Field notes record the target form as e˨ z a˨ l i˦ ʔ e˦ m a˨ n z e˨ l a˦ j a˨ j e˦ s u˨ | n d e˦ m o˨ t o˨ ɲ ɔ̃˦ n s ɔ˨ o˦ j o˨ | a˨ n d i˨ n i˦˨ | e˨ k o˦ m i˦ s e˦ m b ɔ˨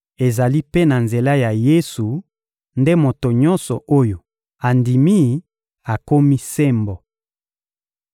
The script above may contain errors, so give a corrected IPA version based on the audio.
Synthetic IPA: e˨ z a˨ l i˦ p e˦ n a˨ n z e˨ l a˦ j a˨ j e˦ s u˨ | n d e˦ m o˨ t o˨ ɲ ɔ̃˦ n s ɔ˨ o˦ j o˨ | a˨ n d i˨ m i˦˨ | a˨ k o˦ m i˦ s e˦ m b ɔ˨